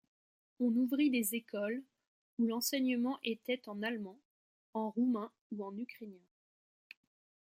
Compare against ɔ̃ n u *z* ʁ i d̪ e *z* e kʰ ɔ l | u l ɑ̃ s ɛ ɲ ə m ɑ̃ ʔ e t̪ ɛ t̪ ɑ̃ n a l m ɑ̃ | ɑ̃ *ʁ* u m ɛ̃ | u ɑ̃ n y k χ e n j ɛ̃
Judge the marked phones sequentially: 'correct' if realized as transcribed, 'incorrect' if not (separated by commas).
incorrect, correct, correct